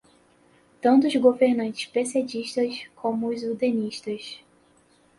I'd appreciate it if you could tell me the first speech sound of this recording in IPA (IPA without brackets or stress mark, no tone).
t̪